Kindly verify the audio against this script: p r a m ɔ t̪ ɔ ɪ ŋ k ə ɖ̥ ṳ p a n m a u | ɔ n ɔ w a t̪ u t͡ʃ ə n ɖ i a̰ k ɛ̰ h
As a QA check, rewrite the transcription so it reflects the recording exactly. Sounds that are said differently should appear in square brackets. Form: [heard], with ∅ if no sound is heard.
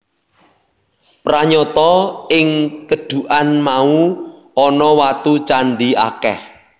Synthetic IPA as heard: p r a [ɲ] ɔ t̪ ɔ ɪ ŋ k ə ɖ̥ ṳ [ʔ] a n m a u | ɔ n ɔ w a t̪ u t͡ʃ [a] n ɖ i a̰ k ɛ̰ h